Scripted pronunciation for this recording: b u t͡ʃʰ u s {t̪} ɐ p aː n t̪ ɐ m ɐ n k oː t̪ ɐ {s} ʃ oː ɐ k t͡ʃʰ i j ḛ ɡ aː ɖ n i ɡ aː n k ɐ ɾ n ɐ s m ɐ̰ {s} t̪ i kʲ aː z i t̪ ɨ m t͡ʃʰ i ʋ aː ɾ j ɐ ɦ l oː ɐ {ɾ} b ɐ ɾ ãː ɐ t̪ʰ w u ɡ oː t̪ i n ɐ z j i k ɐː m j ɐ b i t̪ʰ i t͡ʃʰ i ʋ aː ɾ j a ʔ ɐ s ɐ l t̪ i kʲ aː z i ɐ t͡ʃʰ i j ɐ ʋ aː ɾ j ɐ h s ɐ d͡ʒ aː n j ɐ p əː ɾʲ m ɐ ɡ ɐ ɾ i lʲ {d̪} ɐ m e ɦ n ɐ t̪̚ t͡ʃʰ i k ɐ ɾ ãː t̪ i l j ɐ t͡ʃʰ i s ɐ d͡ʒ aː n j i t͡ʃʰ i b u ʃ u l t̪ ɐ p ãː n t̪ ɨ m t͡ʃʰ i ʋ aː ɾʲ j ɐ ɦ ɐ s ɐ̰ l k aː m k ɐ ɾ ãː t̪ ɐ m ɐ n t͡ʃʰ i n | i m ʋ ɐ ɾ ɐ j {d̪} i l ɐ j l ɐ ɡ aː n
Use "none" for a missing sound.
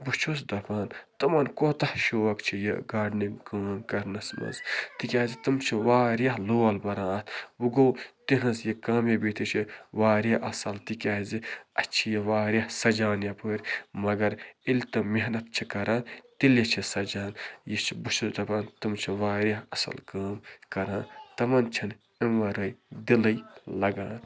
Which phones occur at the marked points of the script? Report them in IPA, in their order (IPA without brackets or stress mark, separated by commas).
d̪, h, z, l, t̪, d̪